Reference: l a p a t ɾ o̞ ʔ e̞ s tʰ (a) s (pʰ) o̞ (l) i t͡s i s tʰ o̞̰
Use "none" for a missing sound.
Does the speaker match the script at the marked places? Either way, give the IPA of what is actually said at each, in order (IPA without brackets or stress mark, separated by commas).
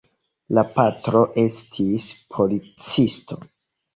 i, pʰ, l